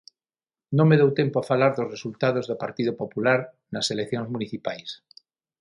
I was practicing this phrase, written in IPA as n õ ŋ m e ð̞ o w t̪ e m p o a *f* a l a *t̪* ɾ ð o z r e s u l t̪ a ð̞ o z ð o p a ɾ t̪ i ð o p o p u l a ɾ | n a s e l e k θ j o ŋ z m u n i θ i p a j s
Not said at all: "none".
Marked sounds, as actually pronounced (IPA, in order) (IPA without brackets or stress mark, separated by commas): f, none